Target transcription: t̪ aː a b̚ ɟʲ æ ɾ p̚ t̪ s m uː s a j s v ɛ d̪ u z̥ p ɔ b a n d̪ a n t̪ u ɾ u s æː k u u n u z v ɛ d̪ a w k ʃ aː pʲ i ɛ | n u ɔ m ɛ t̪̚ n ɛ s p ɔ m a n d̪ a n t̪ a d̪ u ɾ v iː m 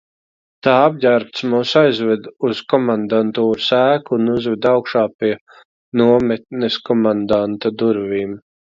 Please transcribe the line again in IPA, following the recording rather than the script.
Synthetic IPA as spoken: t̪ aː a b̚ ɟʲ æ ɾ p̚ t̪ s m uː s a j z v ɛ d̪ u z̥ k ɔ m a n d̪ a n t̪ uː ɾ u s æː k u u n u z v ɛ d̪ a w k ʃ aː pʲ i ɛ | n u ɔ m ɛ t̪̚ n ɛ s k ɔ m a n d̪ a n t̪ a d̪ u ɾ v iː m